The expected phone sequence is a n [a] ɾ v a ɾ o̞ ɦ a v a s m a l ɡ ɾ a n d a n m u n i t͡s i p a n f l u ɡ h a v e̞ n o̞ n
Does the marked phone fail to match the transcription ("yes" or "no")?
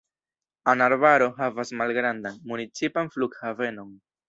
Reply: no